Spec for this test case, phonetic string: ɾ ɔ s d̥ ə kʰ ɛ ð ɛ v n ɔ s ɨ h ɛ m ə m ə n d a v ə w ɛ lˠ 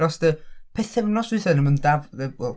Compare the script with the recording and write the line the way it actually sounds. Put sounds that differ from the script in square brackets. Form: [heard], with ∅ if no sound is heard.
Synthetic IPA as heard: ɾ ɔ s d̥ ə [pʰ] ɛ [θ] ɛ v n ɔ s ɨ [θ] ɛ [n] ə m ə n d a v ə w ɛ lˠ